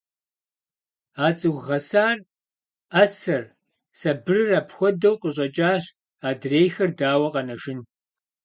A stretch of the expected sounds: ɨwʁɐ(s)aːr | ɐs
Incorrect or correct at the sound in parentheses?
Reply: correct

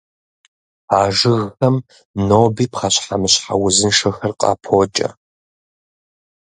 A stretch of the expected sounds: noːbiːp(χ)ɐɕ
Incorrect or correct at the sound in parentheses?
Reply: correct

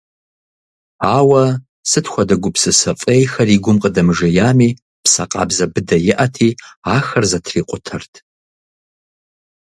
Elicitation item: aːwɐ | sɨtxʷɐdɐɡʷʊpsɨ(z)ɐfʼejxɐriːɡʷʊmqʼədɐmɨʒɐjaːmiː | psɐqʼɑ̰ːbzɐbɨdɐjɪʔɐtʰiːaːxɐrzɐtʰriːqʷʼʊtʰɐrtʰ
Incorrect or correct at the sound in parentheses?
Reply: incorrect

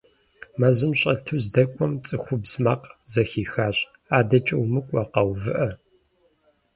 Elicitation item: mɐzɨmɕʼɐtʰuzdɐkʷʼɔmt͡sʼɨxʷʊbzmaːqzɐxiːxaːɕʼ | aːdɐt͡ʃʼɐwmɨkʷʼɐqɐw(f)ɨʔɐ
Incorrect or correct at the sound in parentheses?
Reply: incorrect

